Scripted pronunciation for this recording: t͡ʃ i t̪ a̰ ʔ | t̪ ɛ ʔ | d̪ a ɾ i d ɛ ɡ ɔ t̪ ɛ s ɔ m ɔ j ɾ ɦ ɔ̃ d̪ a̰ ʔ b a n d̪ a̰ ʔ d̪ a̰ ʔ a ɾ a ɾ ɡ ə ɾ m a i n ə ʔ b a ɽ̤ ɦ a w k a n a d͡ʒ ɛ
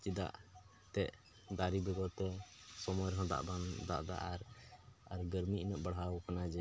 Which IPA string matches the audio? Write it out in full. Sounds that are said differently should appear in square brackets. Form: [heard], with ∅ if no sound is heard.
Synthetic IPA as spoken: t͡ʃ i [d̪] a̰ ʔ | t̪ ɛ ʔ | d̪ a ɾ i [b] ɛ ɡ ɔ t̪ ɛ s ɔ m ɔ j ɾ ɦ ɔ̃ d̪ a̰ ʔ b a n d̪ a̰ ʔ d̪ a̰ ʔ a ɾ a ɾ ɡ ə ɾ m [i] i n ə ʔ b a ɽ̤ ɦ a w k a n a d͡ʒ ɛ